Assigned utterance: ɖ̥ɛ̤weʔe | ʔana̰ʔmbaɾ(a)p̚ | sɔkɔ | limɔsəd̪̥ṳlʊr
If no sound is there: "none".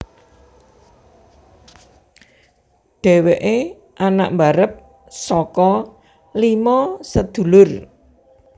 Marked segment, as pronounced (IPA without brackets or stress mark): ə